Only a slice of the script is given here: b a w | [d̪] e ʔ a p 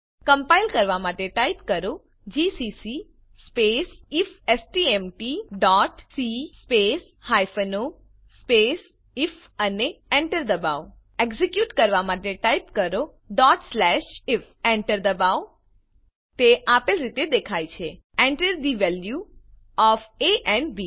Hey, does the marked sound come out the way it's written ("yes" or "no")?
no